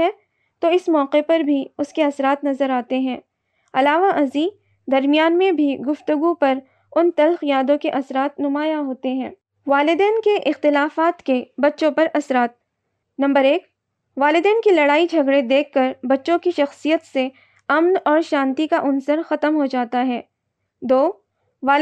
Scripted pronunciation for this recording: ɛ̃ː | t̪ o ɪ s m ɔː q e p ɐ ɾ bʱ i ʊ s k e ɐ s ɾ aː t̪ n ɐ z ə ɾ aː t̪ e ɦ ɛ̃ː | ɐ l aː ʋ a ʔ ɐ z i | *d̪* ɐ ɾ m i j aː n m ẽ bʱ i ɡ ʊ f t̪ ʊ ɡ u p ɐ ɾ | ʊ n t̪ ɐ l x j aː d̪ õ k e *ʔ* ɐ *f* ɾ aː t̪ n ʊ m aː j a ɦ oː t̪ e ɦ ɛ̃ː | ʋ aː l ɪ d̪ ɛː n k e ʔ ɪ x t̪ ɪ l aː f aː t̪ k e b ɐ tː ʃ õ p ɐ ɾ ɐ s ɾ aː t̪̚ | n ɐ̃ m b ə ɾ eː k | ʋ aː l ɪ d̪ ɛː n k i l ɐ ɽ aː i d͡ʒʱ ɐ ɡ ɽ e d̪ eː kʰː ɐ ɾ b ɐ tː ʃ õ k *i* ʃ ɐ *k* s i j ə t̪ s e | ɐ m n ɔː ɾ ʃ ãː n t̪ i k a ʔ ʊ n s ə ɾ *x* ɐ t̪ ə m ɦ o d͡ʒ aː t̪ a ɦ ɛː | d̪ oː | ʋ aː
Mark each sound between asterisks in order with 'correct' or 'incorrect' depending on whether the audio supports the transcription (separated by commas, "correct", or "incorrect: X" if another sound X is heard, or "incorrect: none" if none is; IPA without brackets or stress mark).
correct, correct, incorrect: s, correct, incorrect: x, correct